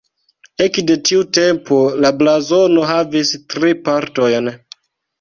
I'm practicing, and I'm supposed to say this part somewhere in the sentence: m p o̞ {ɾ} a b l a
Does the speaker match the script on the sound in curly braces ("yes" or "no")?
no